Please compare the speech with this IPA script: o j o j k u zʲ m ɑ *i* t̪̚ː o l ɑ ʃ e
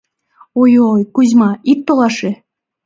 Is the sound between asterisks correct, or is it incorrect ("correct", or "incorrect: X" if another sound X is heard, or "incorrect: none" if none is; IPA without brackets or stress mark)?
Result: correct